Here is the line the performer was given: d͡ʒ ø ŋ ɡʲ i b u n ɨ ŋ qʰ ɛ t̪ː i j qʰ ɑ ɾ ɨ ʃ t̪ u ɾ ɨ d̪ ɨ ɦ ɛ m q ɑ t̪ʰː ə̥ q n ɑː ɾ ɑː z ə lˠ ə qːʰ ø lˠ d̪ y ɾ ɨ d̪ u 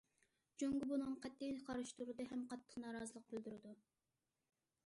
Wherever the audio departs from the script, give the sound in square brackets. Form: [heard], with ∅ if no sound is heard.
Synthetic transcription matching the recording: d͡ʒ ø ŋ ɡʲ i b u n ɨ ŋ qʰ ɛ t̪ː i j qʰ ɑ ɾ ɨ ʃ t̪ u ɾ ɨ d̪ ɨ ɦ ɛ m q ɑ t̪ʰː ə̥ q n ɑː ɾ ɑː z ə lˠ ə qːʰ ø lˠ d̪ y ɾ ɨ d̪ u